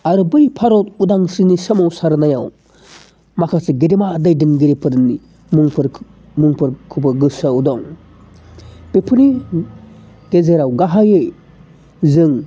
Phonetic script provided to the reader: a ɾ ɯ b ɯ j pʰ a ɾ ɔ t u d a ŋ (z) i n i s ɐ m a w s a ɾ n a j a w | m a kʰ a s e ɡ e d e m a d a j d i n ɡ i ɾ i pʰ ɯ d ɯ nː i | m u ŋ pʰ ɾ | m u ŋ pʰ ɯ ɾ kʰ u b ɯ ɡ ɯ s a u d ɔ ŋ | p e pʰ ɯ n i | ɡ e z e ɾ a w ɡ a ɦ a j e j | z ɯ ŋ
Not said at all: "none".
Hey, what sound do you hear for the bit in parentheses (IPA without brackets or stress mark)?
s